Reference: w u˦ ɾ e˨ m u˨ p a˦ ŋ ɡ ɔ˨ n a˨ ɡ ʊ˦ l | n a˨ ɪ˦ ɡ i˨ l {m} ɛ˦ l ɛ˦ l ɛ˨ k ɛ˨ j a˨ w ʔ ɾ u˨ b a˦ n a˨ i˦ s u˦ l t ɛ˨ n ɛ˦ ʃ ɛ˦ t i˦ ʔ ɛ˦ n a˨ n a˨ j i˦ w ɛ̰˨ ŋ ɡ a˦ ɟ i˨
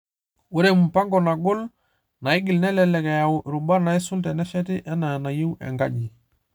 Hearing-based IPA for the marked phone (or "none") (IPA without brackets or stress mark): n